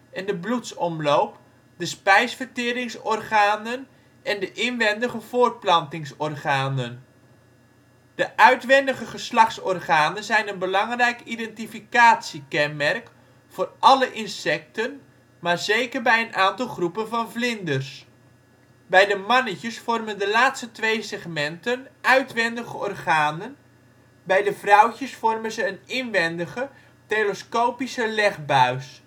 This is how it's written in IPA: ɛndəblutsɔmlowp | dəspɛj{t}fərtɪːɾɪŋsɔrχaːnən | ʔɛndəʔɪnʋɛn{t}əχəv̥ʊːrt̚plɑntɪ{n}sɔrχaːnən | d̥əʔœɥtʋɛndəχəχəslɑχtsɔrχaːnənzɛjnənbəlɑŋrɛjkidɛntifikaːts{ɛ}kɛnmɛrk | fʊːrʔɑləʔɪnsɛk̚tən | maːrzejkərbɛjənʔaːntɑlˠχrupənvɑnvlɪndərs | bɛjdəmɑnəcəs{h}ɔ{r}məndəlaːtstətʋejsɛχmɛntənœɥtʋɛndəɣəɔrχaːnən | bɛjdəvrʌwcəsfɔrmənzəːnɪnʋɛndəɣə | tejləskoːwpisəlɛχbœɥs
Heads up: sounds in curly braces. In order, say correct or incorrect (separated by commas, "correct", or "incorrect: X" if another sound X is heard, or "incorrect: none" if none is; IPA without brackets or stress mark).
incorrect: s, incorrect: d, incorrect: ŋ, incorrect: i, incorrect: f, correct